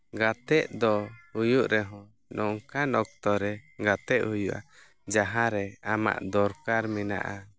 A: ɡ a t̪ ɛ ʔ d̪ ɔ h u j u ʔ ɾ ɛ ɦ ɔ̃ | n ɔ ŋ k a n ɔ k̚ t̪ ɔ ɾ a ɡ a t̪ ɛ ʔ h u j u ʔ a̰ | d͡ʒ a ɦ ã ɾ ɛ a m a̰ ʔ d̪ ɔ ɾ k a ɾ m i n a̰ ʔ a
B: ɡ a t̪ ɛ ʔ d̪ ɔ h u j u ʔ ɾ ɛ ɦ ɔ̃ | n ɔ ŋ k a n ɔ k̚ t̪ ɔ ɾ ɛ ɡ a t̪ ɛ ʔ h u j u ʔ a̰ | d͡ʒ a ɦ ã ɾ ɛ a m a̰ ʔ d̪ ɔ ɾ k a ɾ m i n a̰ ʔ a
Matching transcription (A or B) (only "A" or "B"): B